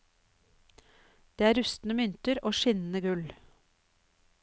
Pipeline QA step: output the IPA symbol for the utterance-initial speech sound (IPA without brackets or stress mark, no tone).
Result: d̪̥